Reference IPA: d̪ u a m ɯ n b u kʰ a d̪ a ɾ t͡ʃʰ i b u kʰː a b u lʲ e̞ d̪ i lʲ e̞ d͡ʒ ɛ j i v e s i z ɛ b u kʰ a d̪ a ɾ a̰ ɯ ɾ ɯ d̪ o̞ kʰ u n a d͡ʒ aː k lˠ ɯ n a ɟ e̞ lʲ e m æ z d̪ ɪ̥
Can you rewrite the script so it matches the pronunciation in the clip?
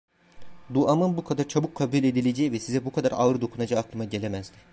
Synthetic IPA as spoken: d̪ u a m ɯ n b u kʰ a d̪ a ɾ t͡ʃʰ a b u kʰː a b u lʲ e̞ d̪ i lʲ e̞ d͡ʒ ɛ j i v ɛ s i z ɛ b u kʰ a d̪ a ɾ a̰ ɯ ɾ ɯ d̪ o̞ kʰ u n a d͡ʒ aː k lˠ ɯ m a ɟ e̞ lʲ e m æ z d̪ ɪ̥